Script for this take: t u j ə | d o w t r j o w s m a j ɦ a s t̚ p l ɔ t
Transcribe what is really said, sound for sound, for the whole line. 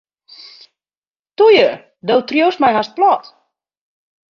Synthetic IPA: t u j ə | d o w t r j o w s m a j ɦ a s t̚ p l ɔ t